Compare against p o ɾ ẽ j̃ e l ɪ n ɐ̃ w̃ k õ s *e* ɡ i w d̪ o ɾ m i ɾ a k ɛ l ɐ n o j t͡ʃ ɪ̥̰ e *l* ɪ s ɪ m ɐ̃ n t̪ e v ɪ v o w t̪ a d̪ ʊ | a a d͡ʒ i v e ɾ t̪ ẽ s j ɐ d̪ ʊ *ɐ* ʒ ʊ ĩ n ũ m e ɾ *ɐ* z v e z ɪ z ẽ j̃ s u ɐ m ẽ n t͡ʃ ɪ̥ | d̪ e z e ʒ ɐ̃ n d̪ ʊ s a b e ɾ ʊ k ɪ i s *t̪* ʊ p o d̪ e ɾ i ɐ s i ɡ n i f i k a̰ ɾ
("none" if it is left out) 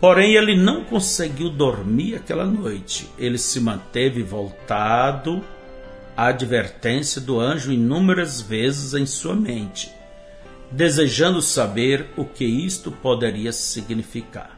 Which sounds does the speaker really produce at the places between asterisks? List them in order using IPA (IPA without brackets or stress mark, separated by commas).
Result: e, l, ɐ̃, ɐ, t̪